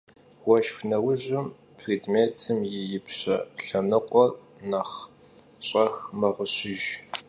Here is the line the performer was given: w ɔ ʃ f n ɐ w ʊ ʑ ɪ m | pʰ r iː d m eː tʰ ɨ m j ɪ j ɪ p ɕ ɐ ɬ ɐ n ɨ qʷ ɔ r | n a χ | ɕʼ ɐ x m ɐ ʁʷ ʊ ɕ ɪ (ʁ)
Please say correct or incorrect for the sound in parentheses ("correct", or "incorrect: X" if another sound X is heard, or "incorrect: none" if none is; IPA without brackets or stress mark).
incorrect: ʒ